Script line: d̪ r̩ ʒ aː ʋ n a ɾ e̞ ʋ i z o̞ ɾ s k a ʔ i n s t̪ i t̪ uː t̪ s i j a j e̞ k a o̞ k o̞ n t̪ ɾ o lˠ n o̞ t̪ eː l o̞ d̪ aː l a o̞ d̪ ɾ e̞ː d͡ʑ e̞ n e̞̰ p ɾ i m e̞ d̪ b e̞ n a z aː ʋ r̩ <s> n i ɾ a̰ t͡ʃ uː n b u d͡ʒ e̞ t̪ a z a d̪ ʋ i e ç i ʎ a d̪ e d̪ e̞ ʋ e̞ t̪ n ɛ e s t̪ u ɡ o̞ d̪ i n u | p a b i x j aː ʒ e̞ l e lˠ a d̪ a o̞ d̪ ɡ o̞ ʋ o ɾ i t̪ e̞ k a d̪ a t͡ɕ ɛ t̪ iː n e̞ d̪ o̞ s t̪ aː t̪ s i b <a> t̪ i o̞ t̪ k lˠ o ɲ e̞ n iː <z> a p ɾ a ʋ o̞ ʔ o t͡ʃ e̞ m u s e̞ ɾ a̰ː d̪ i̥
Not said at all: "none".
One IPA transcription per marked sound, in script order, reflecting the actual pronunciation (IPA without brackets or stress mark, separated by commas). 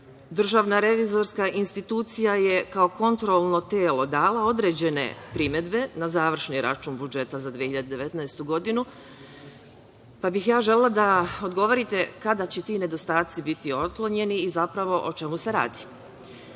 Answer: ʃ, i, z